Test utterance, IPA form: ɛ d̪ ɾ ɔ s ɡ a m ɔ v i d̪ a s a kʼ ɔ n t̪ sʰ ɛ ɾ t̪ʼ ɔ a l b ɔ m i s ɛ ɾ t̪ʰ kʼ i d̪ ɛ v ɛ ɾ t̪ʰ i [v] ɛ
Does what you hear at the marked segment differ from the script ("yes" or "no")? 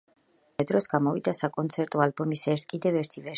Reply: no